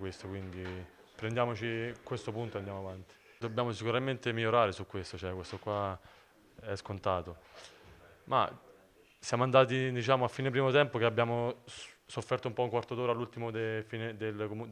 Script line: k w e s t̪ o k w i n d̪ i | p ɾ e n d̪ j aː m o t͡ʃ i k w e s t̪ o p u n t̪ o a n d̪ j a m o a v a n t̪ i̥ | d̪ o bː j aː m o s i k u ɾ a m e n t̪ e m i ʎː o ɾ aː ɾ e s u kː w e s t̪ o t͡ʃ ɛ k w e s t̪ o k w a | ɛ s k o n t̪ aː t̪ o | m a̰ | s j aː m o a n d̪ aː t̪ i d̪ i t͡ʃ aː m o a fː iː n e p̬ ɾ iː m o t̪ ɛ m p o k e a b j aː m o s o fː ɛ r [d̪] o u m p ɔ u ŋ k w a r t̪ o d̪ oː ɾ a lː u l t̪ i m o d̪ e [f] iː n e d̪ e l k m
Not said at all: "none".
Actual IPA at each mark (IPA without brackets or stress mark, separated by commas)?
t̪, f